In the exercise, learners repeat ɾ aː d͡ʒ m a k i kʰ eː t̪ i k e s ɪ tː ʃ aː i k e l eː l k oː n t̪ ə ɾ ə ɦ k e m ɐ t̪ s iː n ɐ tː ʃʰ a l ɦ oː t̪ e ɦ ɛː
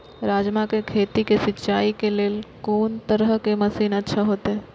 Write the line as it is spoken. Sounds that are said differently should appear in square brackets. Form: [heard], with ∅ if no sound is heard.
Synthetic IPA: ɾ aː d͡ʒ m a k [e] kʰ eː t̪ i k e s ɪ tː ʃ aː i k e l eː l k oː n t̪ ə ɾ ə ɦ k e m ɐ [∅] s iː n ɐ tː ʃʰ a [∅] ɦ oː t̪ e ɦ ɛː